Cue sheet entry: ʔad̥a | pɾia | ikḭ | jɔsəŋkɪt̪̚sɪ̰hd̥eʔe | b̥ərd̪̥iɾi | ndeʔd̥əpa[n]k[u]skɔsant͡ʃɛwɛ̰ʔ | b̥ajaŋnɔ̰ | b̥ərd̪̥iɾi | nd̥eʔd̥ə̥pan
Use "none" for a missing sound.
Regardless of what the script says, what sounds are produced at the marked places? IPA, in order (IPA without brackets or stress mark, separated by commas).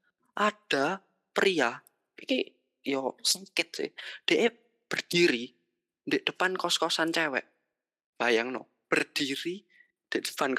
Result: n, ɔ